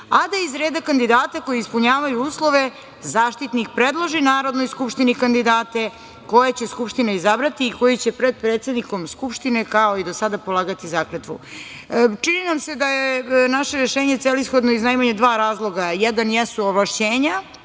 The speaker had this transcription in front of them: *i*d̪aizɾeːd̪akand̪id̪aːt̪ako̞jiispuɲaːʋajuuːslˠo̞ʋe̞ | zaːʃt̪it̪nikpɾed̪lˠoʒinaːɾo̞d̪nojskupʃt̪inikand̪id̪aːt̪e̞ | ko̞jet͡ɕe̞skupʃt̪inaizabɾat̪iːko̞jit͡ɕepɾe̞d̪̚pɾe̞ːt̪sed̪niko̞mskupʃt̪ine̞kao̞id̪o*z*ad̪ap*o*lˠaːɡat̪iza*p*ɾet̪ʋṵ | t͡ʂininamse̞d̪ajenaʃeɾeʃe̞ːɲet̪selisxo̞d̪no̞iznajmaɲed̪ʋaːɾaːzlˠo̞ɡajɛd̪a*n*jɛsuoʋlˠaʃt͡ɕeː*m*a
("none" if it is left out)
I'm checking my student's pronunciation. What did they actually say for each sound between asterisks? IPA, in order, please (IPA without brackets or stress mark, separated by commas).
a, s, o, k, n, ɲ